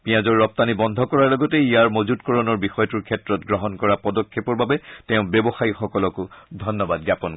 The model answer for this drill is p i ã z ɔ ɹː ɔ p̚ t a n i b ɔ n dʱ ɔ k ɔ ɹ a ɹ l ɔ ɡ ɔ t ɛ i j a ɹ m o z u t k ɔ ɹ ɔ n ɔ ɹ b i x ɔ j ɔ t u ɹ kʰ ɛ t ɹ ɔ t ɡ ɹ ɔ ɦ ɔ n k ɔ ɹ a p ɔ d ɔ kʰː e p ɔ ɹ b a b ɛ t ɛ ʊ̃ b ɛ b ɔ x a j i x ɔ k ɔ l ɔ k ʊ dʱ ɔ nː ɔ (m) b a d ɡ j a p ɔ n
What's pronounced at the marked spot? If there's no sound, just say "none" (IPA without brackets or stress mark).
none